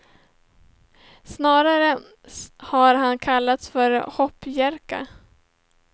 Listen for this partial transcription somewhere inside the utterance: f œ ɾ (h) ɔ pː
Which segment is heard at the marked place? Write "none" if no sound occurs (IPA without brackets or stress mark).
h